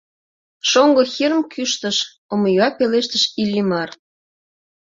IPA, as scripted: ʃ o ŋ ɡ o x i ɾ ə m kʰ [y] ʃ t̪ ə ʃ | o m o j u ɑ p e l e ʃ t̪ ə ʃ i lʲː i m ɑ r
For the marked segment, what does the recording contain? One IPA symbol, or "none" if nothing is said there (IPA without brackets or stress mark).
y